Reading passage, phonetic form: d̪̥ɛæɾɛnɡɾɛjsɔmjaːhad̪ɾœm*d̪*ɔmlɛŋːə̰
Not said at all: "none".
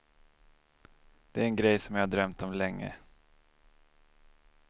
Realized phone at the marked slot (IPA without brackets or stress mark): t̪